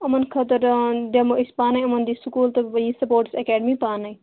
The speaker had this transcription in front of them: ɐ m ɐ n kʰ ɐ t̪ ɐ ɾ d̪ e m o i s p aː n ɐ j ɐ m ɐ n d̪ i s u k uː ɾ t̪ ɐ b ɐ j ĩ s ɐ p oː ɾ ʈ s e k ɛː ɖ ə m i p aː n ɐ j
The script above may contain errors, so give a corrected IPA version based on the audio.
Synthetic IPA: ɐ m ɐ n kʰ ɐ t̪ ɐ ɾ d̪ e m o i s p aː n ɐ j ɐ m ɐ n d̪ i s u k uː l t̪ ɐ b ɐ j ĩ s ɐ p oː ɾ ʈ s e k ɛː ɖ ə m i p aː n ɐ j